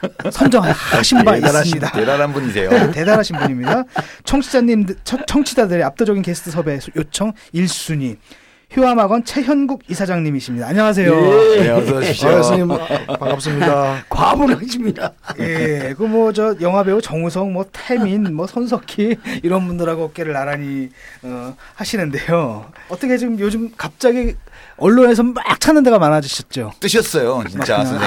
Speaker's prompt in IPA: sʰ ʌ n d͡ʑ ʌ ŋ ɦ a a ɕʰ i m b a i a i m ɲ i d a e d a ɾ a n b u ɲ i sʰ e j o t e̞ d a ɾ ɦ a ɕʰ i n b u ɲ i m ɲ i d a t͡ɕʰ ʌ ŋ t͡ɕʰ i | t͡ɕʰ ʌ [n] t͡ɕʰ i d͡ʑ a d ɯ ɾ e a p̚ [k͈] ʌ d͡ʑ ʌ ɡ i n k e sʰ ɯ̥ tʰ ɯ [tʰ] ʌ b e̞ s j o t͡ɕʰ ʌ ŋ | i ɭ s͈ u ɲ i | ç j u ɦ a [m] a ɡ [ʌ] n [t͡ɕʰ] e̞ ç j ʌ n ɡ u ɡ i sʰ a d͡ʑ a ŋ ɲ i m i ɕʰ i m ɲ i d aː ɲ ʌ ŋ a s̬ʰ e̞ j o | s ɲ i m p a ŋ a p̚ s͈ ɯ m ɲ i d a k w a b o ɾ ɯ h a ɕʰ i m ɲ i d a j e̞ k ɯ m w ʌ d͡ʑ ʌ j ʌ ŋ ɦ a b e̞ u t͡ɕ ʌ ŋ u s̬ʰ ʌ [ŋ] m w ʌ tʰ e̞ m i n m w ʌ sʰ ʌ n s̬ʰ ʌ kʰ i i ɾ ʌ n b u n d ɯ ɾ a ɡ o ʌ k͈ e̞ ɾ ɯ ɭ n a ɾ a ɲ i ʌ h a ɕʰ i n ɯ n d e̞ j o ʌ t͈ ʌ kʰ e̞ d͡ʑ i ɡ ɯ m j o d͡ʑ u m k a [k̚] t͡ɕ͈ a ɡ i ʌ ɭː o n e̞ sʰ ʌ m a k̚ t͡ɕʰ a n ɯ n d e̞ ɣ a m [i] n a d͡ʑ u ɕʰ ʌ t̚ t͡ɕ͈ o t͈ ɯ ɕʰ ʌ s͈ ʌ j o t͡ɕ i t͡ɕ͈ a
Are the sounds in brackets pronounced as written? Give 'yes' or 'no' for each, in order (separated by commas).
no, no, no, yes, yes, yes, yes, no, no